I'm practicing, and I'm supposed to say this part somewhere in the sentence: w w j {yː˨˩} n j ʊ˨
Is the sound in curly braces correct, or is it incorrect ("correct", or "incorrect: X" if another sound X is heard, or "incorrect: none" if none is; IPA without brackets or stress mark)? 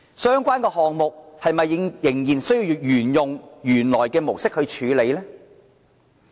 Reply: correct